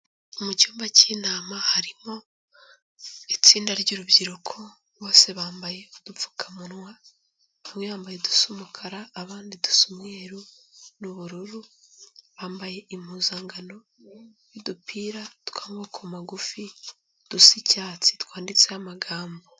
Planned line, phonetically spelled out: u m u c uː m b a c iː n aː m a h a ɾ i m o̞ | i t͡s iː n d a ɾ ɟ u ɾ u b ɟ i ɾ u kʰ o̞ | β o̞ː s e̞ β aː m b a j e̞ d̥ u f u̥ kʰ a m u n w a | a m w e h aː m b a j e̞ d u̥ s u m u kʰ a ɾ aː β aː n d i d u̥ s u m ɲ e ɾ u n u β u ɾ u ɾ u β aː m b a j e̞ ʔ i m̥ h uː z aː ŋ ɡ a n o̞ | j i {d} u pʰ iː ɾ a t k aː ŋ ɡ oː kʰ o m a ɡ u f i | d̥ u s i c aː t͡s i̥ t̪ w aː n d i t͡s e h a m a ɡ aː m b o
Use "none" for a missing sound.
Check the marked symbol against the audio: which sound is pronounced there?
d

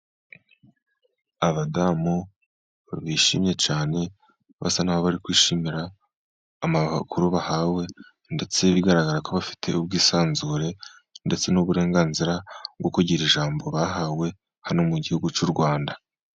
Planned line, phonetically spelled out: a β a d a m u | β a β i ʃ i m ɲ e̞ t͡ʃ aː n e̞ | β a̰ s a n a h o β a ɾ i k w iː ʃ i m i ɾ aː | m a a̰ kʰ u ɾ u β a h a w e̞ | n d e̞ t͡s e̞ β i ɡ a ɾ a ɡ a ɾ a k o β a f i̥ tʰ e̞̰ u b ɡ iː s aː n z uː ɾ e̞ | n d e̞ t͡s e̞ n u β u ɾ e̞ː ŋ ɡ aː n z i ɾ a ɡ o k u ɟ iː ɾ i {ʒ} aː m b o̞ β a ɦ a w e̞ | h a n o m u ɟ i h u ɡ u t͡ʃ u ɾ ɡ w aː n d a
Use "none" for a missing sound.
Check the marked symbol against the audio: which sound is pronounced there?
ʒ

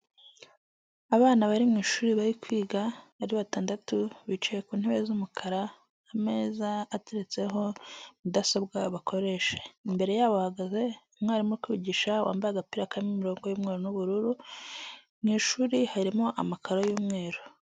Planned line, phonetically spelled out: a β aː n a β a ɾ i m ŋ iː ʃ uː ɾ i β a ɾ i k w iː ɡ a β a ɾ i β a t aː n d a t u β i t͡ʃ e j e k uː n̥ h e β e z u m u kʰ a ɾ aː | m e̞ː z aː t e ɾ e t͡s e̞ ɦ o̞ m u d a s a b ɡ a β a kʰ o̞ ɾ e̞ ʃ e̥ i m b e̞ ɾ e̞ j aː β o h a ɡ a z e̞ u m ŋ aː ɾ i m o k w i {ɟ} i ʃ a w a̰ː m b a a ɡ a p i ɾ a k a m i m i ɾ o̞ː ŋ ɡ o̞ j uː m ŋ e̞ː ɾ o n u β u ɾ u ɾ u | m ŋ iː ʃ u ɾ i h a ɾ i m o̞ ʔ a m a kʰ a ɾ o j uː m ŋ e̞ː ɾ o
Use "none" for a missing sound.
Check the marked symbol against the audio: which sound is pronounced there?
ɟ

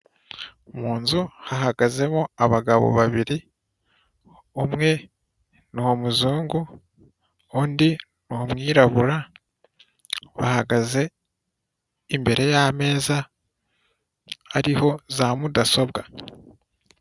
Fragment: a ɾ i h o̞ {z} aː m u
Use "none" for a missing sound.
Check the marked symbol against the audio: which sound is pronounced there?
z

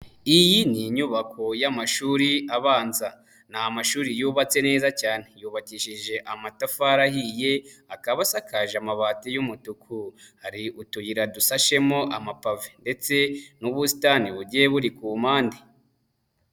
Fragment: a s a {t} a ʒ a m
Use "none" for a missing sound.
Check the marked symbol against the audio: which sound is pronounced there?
k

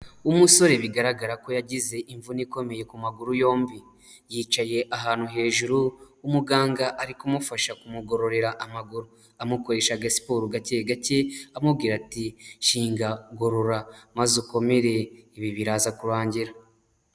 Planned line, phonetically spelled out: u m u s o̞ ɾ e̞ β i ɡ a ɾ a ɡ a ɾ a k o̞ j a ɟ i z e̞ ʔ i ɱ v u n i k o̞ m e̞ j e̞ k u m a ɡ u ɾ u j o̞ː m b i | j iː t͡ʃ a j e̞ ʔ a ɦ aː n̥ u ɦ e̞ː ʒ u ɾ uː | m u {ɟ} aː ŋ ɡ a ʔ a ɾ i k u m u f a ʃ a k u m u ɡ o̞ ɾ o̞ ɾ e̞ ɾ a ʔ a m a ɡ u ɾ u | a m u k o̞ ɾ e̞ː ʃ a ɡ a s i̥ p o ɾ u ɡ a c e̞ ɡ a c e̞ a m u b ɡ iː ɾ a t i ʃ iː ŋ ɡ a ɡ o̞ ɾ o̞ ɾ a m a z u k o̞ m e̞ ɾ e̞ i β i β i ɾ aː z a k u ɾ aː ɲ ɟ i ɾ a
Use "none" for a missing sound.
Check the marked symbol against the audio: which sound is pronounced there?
ɡ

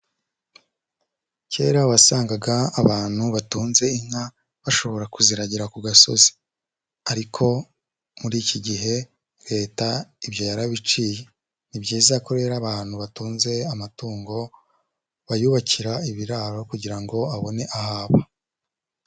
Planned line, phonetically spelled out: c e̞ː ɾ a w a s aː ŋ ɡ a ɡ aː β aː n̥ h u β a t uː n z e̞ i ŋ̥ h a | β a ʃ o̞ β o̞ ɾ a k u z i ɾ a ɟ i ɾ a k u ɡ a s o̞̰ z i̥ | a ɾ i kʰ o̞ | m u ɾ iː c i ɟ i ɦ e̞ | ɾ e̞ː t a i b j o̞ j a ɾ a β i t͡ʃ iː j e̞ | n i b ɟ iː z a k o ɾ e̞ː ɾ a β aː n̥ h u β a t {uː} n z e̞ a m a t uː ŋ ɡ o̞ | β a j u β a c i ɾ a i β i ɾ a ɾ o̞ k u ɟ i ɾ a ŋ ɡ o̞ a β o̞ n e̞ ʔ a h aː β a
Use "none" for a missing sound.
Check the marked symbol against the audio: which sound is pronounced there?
uː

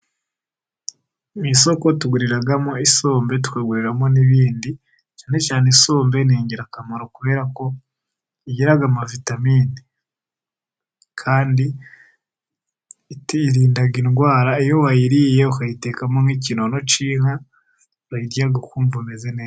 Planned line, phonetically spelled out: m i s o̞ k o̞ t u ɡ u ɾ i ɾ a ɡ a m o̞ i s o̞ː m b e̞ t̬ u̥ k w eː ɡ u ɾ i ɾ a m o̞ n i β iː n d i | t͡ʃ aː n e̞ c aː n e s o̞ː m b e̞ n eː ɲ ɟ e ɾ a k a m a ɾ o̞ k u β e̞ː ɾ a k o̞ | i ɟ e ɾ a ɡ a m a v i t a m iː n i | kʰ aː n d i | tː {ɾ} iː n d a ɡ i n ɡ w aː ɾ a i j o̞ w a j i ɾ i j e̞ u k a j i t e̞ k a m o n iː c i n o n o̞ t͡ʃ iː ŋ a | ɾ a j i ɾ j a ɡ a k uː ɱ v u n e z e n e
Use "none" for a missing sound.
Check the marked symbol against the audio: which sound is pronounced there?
ɾ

